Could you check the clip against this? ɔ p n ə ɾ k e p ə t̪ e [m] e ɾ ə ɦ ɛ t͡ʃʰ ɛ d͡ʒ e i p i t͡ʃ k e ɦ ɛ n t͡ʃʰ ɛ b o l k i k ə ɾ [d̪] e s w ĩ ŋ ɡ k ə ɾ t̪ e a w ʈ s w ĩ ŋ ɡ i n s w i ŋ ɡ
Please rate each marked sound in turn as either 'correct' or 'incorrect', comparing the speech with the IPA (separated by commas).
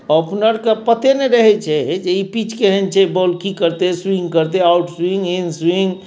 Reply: incorrect, incorrect